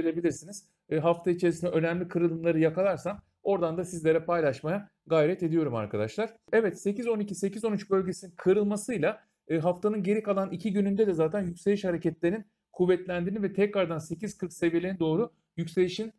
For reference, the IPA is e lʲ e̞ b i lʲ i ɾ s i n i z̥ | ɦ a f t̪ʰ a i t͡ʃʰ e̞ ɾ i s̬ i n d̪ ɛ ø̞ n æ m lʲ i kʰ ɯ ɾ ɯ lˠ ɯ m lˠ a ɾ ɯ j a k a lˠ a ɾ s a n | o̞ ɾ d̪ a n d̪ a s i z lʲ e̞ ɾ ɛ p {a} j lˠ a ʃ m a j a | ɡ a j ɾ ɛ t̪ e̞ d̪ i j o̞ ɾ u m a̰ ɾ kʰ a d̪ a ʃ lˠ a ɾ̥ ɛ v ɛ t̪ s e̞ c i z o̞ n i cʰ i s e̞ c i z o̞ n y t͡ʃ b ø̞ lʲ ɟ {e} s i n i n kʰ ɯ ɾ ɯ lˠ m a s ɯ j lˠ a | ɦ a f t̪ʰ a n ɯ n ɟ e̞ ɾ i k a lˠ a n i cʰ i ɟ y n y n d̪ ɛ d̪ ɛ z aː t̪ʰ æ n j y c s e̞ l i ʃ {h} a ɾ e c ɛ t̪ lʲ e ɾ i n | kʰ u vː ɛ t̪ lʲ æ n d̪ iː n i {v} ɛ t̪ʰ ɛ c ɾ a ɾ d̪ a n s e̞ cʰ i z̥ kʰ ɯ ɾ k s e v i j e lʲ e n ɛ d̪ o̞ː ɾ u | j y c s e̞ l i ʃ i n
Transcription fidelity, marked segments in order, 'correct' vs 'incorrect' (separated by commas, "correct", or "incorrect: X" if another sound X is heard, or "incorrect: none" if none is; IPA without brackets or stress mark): correct, correct, correct, correct